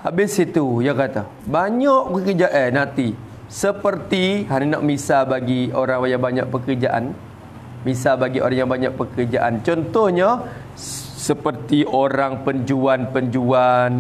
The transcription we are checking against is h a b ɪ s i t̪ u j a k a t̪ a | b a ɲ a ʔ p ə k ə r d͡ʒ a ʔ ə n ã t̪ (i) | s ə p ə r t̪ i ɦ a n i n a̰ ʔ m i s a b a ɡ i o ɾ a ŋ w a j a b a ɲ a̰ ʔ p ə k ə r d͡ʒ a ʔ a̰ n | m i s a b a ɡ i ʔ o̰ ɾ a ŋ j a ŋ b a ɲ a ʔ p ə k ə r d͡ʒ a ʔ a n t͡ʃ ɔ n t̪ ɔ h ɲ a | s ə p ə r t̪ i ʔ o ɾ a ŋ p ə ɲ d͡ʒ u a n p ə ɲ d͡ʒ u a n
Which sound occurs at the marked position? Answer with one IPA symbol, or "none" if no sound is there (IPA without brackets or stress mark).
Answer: i